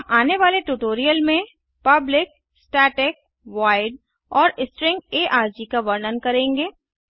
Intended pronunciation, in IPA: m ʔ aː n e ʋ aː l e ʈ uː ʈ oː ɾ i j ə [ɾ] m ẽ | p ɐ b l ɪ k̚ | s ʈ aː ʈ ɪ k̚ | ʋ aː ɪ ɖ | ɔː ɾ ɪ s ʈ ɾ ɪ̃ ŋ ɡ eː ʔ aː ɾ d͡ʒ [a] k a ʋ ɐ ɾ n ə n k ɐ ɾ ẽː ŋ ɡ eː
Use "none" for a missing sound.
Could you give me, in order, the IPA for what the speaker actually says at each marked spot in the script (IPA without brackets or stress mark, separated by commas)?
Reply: l, i